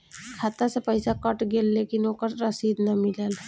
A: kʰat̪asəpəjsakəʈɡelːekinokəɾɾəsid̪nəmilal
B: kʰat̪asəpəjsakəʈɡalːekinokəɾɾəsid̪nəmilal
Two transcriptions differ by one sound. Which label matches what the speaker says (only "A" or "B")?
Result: A